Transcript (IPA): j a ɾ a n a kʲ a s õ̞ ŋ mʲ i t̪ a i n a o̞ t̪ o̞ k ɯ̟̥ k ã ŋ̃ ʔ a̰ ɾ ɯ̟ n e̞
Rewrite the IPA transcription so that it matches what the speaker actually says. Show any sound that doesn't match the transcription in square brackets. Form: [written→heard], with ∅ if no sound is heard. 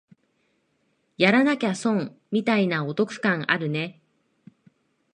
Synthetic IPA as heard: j a ɾ a n a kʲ a s õ̞ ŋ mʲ i t̪ a i n a o̞ t̪ o̞ k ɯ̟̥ k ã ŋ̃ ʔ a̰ ɾ ɯ̟ n e̞